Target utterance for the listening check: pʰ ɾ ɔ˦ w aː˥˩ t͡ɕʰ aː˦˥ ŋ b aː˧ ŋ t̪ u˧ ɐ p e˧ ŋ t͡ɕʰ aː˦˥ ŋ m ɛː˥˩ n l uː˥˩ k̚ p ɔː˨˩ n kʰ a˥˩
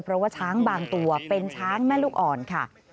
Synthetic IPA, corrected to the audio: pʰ ɾ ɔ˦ w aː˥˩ t͡ɕʰ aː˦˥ ŋ b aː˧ ŋ t̪ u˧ ɐ p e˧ n t͡ɕʰ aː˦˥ ŋ m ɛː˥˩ l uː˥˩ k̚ ʔ ɔː˨˩ n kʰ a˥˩